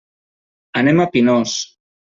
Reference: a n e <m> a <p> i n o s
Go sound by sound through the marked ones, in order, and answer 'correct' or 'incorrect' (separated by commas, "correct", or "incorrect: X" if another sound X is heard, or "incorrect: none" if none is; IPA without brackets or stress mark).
correct, correct